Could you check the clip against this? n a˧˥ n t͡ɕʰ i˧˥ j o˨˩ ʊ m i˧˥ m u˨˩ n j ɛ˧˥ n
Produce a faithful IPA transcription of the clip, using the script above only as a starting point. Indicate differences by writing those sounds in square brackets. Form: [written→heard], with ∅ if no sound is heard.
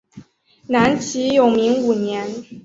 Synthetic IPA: n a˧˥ n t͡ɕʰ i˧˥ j o˨˩ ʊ m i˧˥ [m→ŋ] u˨˩ n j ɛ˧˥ n